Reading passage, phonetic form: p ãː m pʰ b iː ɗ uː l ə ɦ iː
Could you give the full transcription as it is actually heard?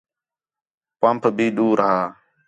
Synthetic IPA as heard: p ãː m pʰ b iː ɗ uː ɾ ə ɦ aː